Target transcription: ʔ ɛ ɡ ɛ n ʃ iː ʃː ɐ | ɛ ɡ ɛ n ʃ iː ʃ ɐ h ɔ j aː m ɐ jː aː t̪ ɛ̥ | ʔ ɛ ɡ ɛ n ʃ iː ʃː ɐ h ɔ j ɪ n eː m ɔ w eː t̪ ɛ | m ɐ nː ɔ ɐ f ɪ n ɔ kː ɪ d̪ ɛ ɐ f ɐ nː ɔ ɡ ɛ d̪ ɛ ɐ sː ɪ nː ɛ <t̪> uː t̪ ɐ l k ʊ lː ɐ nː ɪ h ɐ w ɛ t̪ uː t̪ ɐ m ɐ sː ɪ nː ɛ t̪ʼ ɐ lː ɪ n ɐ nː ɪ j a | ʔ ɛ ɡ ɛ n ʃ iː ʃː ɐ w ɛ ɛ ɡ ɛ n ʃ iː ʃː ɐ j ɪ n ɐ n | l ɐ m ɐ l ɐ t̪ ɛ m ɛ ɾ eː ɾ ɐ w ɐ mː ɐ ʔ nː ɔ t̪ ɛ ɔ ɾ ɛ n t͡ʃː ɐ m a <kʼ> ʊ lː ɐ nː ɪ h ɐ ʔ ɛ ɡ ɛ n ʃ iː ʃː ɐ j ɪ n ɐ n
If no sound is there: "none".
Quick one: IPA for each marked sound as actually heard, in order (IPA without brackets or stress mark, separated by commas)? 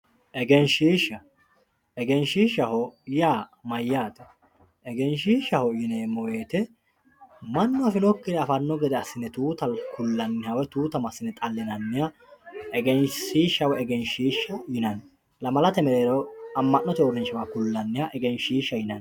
t̪, k